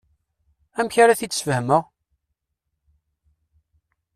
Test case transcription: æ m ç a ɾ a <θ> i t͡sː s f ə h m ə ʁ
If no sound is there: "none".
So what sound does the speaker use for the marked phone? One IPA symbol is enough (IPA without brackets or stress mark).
θ